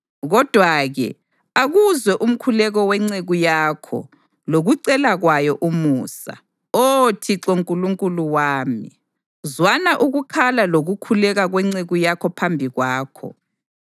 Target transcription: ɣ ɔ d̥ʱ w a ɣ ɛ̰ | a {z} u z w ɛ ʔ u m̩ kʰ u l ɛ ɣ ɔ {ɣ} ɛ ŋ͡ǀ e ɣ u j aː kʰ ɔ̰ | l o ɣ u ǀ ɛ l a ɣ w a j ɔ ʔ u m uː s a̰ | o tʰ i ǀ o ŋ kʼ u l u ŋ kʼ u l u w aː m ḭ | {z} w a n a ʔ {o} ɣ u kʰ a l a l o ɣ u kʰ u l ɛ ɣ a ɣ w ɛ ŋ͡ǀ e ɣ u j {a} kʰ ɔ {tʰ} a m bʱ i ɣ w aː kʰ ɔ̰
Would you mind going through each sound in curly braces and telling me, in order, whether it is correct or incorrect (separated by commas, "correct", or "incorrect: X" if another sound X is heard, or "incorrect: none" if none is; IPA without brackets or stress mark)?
incorrect: ɣ, incorrect: w, correct, incorrect: u, correct, incorrect: pʰ